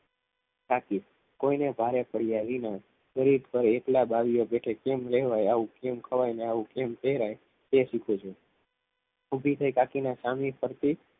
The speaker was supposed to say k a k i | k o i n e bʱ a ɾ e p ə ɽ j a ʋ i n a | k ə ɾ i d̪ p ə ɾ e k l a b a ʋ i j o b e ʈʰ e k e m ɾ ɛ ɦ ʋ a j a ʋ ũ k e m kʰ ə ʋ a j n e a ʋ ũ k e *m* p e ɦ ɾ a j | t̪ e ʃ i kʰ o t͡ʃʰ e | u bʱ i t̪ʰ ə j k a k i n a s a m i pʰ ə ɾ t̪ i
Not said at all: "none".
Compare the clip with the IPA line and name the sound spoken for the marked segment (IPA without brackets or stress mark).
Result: m